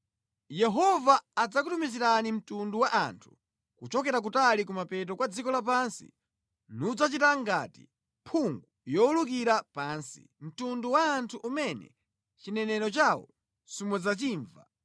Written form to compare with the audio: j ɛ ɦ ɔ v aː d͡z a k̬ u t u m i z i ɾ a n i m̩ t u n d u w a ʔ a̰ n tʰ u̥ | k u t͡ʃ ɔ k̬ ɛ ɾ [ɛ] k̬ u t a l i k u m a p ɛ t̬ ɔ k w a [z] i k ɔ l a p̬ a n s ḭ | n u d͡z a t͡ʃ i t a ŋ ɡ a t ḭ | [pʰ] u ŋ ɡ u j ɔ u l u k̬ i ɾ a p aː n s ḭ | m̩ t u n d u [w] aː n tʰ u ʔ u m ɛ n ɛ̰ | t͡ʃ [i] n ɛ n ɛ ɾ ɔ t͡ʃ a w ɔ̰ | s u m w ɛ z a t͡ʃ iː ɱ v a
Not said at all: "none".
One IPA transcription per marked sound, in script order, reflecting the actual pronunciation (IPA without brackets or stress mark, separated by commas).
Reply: a, d͡z, pʰ, w, i